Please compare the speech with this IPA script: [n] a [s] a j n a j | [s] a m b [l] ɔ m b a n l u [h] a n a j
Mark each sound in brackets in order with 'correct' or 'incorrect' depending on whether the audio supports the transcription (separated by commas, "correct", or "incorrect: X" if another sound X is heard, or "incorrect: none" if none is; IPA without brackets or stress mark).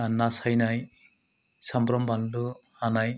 correct, correct, correct, incorrect: ɾ, correct